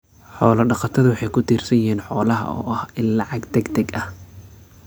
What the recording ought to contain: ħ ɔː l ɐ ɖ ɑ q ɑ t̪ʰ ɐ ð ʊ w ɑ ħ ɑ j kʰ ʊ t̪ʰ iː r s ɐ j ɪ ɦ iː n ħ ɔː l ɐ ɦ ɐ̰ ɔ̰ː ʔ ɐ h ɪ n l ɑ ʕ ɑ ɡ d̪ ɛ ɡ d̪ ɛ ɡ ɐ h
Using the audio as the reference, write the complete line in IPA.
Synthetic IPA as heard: ħ ɔː l ɐ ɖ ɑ q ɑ t̪ʰ ɐ ð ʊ w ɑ ħ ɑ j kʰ ʊ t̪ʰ iː r s ɐ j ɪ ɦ iː n ħ ɔː l ɐ ɦ ɐ̰ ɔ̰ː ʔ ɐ h ɪ n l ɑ ʕ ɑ ɡ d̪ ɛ ɡ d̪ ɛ ɡ ɐ h